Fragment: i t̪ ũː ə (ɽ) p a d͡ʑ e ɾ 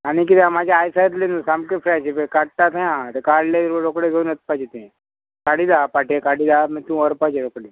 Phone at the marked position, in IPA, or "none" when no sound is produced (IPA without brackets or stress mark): ɾ